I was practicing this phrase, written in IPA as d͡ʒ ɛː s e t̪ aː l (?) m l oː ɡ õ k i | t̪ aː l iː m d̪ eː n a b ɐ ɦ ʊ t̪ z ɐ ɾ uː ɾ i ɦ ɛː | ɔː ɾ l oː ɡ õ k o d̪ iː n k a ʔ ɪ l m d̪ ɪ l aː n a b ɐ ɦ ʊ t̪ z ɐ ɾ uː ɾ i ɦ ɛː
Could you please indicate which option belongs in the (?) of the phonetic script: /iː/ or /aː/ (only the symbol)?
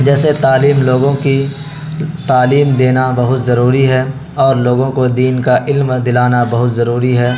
iː